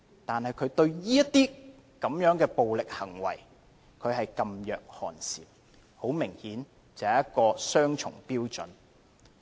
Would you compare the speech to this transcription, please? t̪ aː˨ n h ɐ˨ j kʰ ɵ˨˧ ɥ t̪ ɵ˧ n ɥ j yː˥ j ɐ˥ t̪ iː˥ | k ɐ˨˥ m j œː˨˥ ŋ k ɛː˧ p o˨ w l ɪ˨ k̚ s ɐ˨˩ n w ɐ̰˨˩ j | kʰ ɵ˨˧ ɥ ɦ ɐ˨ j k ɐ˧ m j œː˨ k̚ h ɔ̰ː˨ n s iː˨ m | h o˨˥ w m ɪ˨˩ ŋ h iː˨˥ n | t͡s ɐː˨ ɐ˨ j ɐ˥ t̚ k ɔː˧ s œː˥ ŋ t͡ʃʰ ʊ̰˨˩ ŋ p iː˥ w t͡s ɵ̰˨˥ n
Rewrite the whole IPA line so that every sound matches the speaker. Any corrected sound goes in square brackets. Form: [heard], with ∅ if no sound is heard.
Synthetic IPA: t̪ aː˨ n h ɐ˨ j kʰ ɵ˨˧ ɥ t̪ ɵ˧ [∅] ɥ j [iː˥] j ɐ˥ t̪ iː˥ | k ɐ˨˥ m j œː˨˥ ŋ k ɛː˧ p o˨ w l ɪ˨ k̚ [h] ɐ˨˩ [ŋ] w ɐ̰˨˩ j | kʰ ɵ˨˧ ɥ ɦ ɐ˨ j k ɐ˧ m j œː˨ k̚ h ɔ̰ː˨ n s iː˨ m | h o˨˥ w m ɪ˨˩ ŋ h iː˨˥ n | t͡s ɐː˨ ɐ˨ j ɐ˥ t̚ k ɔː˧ s œː˥ ŋ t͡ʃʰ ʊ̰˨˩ ŋ p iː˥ w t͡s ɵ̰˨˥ n

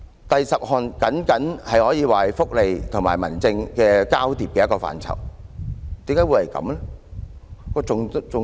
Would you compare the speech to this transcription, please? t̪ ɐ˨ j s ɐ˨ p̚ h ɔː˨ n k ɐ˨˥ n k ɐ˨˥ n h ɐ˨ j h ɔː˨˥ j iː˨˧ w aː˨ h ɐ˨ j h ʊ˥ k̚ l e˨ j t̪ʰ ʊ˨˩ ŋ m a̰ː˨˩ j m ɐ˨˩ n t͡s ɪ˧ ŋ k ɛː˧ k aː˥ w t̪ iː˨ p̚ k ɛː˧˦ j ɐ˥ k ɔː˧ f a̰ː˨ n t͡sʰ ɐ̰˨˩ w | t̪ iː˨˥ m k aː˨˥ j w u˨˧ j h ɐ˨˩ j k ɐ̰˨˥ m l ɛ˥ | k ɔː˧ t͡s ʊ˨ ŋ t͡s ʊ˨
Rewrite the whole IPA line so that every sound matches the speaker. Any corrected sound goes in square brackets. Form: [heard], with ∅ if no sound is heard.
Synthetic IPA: t̪ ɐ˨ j s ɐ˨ p̚ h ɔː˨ n k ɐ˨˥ n k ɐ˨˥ n h ɐ˨ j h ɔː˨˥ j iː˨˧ w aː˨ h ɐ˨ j [f] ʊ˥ k̚ l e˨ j t̪ʰ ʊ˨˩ ŋ m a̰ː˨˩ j m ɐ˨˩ n t͡s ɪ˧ ŋ k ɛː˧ k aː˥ w t̪ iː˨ p̚ k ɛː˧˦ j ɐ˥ k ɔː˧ f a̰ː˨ n t͡sʰ ɐ̰˨˩ w | t̪ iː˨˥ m k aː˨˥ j w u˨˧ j h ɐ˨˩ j k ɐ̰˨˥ m l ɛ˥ | k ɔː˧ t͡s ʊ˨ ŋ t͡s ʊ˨

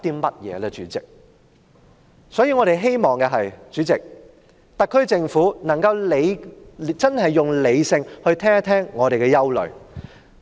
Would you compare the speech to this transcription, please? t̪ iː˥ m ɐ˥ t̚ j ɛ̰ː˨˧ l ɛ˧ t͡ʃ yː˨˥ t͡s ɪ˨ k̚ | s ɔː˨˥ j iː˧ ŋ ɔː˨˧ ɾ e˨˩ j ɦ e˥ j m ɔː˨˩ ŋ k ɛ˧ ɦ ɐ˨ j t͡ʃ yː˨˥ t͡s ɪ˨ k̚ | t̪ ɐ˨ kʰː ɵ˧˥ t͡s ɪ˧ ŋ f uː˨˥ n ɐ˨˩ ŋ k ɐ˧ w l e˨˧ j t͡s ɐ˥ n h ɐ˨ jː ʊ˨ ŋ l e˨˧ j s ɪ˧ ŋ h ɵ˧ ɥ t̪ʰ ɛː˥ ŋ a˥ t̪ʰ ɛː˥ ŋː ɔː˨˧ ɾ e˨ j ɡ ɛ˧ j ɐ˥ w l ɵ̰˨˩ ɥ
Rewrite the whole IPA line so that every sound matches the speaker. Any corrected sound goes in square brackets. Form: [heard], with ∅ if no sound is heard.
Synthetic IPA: t̪ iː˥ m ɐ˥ t̚ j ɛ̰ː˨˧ l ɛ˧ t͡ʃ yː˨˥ t͡s ɪ˨ k̚ | s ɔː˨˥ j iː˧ ŋ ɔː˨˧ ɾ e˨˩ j ɦ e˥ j m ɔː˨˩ ŋ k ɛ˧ ɦ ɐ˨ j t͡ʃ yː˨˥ t͡s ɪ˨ k̚ | t̪ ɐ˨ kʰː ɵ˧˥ t͡s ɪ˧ ŋ f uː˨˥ n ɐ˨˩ ŋ k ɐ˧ w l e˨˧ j t͡s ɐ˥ n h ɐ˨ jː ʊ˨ ŋ l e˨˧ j s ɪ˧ ŋ h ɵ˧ ɥ t̪ʰ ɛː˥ ŋ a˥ t̪ʰ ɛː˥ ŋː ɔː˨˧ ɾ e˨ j [k] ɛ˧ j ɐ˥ w l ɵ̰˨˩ ɥ

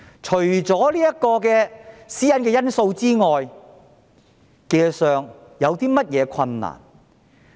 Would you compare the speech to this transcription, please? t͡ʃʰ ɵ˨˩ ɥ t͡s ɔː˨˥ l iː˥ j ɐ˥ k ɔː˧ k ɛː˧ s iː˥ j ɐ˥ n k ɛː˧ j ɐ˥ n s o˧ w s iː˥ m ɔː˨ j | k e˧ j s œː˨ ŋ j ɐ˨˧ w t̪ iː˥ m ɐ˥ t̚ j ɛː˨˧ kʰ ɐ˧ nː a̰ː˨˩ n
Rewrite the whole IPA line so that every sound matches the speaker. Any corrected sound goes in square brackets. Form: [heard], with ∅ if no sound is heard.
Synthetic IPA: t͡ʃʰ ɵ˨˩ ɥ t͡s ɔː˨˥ l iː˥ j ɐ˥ k ɔː˧ k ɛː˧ s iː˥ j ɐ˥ n k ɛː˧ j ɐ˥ n s o˧ w [t͡s] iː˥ [ŋ] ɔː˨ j | k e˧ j s œː˨ ŋ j ɐ˨˧ w t̪ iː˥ m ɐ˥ t̚ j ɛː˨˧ kʰ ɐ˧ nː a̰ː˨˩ n

